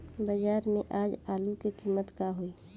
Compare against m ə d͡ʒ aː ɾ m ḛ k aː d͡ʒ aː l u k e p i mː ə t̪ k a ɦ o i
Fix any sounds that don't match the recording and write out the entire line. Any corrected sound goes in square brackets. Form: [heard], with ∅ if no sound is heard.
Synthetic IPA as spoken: [b] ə d͡ʒ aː ɾ m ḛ [ʔ] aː d͡ʒ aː l u k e [k] i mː ə t̪ k a ɦ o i